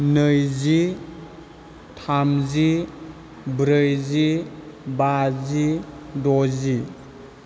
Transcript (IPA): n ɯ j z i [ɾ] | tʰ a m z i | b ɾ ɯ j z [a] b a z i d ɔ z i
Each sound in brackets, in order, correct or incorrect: incorrect: none, incorrect: i

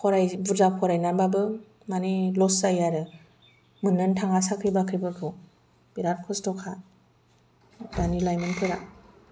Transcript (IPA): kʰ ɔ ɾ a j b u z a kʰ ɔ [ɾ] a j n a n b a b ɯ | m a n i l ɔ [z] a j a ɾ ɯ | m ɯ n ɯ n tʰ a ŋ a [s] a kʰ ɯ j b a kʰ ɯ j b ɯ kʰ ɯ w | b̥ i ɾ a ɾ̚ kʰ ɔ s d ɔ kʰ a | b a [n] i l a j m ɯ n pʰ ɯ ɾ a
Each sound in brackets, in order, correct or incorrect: correct, incorrect: s, correct, correct

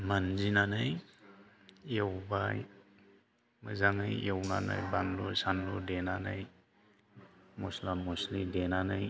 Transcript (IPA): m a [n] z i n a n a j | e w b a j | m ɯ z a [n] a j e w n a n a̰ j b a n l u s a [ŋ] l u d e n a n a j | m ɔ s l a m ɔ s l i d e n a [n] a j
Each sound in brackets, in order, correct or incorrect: correct, incorrect: ŋ, incorrect: n, correct

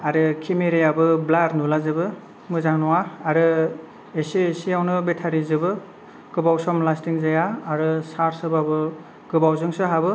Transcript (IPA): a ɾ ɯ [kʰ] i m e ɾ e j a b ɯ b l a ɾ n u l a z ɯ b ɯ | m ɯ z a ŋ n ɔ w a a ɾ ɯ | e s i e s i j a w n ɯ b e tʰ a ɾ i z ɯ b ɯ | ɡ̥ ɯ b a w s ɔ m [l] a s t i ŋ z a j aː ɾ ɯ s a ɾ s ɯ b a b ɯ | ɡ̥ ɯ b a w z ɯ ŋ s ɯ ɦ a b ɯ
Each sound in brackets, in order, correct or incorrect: correct, correct

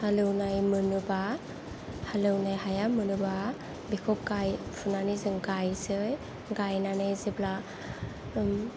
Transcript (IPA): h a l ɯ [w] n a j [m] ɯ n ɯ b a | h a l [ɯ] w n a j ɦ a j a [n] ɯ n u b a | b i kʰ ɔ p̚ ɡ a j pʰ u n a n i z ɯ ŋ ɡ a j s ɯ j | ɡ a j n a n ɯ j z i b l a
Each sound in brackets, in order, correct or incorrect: correct, correct, correct, incorrect: m

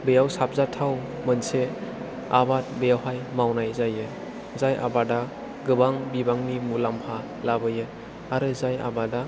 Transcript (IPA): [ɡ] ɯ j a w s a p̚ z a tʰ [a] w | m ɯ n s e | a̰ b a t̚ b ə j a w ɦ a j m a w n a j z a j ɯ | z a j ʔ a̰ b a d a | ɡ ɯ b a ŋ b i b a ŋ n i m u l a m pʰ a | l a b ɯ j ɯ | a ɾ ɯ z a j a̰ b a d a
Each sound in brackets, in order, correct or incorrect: incorrect: b, correct

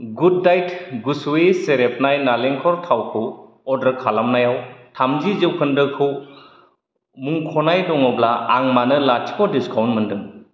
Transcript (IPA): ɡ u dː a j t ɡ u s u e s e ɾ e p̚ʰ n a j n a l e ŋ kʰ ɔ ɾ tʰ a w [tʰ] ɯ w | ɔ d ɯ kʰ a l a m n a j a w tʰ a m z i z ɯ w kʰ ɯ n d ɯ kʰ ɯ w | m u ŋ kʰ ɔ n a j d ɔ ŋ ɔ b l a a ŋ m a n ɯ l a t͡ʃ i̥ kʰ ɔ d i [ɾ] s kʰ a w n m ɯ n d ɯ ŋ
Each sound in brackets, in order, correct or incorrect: incorrect: kʰ, incorrect: none

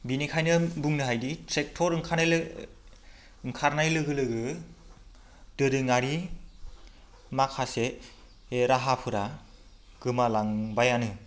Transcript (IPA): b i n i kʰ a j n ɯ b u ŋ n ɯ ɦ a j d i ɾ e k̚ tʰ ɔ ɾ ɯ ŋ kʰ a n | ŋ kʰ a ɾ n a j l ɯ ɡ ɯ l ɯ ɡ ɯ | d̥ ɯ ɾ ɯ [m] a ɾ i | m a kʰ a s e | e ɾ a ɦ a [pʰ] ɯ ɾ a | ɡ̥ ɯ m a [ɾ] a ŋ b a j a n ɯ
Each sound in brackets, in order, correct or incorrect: incorrect: ŋ, correct, incorrect: l

